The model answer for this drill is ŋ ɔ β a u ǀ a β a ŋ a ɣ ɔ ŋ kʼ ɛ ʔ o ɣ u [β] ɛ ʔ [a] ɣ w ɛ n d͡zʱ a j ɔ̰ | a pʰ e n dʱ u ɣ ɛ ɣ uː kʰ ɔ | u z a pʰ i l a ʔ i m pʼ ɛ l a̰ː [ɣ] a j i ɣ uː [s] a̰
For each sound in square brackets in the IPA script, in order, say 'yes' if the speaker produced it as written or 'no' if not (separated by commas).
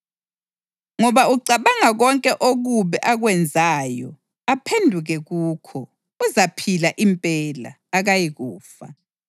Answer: yes, yes, yes, no